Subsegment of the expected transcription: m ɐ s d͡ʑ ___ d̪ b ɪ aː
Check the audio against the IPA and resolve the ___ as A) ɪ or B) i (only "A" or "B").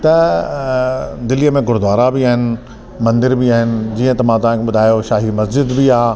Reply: A